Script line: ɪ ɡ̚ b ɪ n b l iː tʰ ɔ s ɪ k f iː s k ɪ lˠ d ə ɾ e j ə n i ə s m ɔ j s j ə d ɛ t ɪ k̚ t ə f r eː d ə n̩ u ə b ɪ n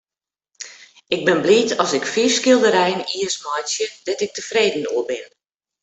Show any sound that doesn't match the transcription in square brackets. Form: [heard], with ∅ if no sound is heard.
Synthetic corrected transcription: ɪ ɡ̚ b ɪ n b l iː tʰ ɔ s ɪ k f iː s k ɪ lˠ d ə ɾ [ɛ] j ə n i ə s m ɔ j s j ə d ɛ t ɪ k̚ t ə f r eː d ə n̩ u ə b ɪ n